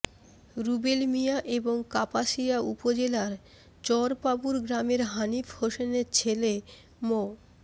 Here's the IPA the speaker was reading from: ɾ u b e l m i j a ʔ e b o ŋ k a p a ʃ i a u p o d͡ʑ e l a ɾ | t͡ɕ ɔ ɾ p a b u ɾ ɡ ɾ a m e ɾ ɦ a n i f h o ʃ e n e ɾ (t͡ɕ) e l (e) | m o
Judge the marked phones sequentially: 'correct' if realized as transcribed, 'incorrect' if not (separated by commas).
incorrect, correct